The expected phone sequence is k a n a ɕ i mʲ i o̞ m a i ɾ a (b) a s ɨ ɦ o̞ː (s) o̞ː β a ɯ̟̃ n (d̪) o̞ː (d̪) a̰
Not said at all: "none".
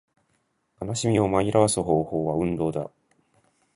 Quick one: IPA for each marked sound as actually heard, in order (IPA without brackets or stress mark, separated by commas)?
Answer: β, h, d̪, d̪